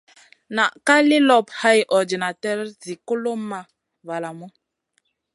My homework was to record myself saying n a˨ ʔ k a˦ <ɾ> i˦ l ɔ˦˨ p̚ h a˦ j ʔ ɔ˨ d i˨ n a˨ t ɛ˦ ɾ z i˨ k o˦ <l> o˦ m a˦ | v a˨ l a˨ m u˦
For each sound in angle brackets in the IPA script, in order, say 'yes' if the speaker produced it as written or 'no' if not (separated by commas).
no, yes